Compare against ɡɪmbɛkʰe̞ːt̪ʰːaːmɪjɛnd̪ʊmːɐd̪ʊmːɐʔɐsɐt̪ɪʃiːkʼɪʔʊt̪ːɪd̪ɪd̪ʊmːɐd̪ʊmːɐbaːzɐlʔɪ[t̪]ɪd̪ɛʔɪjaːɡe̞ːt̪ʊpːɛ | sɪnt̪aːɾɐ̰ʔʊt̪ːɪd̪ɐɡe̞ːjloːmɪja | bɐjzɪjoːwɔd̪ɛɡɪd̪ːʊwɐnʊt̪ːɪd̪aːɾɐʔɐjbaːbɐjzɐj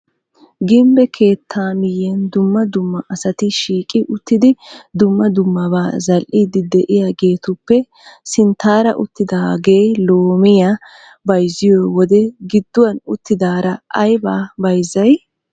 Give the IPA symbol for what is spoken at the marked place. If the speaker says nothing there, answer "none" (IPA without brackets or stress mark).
d̪